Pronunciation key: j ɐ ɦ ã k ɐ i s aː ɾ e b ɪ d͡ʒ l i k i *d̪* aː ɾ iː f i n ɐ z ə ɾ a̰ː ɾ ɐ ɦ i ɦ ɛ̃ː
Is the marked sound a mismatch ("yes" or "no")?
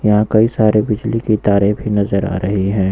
yes